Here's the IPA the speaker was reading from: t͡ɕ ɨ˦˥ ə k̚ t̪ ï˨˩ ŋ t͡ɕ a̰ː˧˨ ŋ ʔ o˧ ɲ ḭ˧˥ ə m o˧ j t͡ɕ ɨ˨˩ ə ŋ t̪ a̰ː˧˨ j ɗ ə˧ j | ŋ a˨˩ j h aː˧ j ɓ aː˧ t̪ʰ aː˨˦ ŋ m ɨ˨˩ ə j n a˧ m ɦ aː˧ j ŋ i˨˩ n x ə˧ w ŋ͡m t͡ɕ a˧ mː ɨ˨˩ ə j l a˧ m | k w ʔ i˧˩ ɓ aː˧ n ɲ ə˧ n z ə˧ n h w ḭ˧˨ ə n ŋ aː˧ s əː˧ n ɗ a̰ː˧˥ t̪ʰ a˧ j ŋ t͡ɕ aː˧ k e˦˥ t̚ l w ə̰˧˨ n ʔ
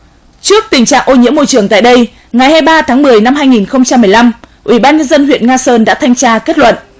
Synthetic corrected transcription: t͡ɕ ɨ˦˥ ə k̚ t̪ ï˨˩ ŋ t͡ɕ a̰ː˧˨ ŋ ʔ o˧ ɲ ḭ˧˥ ə m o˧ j t͡ɕ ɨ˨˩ ə ŋ t̪ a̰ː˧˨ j ɗ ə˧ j | ŋ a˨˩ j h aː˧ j ɓ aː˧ t̪ʰ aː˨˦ ŋ m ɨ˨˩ ə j n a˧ m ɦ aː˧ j ŋ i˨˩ n x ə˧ w ŋ͡m t͡ɕ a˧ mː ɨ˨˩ ə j l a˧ m | ʔ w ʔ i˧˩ ɓ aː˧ n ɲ ə˧ n z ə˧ n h w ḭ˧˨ ə n ŋ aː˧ s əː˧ n ɗ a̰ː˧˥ t̪ʰ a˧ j ŋ t͡ɕ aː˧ k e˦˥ t̚ l w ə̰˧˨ n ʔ